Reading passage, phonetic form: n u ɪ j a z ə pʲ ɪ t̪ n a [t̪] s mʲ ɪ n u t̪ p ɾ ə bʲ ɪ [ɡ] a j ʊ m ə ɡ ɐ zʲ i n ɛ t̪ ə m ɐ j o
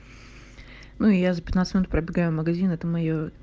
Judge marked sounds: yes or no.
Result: yes, yes

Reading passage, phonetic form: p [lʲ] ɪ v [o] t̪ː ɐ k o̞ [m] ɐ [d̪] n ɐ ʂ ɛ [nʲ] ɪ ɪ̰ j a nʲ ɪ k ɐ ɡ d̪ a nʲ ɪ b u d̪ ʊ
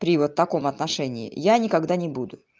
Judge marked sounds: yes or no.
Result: no, yes, yes, no, yes

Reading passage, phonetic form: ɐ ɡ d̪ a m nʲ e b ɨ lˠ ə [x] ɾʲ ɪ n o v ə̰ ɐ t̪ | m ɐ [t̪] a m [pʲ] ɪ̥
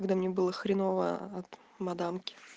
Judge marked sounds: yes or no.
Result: yes, no, no

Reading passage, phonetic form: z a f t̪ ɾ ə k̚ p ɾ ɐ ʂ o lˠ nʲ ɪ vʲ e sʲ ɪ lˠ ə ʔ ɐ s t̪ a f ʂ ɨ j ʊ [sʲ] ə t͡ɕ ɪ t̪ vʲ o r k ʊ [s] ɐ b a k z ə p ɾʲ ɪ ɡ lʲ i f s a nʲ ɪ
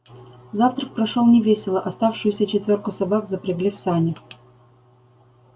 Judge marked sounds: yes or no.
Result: yes, yes

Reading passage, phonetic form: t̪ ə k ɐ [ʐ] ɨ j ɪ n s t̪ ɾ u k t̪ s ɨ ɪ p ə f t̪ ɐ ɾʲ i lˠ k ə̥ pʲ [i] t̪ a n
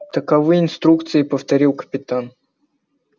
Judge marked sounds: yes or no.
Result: no, no

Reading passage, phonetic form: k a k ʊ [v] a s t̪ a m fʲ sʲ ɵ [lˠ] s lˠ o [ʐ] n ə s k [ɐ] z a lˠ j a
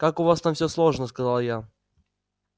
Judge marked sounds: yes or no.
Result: yes, no, yes, yes

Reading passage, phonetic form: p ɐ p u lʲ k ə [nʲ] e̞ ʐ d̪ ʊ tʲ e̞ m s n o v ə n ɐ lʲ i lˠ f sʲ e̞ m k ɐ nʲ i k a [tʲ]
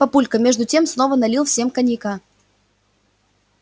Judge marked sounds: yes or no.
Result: no, no

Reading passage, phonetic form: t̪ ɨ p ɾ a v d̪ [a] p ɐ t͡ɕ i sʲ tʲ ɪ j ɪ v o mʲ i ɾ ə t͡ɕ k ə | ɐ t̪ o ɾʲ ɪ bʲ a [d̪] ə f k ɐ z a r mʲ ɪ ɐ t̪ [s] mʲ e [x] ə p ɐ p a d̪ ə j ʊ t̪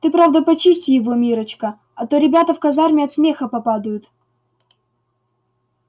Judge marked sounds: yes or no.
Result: no, no, yes, yes

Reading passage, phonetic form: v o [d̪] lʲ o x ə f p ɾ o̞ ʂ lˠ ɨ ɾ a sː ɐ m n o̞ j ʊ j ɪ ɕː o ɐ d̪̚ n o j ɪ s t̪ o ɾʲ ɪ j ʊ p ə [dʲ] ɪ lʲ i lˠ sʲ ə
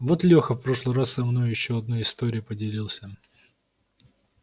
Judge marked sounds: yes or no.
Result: no, yes

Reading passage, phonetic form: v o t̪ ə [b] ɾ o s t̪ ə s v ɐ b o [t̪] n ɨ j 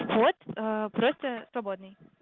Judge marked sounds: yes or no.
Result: no, no

